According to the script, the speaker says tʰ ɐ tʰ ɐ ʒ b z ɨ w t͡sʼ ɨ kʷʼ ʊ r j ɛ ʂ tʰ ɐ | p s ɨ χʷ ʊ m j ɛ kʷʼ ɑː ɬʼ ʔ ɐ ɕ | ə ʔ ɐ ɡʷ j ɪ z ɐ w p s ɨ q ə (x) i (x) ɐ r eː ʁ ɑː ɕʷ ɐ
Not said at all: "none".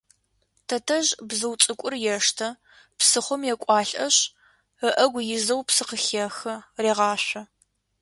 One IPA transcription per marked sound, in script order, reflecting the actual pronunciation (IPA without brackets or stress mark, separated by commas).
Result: x, x